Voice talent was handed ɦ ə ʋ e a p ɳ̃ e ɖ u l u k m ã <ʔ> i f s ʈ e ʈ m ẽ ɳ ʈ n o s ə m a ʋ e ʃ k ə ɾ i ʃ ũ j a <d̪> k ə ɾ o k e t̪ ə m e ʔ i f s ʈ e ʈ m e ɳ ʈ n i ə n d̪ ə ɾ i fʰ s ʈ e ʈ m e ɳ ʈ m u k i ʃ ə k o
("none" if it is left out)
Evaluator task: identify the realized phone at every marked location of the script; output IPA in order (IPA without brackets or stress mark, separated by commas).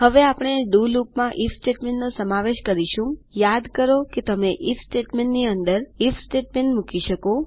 ʔ, d̪